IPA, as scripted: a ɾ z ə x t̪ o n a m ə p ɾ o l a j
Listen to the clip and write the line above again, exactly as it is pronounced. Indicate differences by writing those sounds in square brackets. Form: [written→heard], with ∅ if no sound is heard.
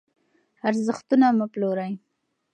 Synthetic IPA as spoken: a ɾ z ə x t̪ [o→u] n a m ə p [ɾ→l] o [l→ɾ] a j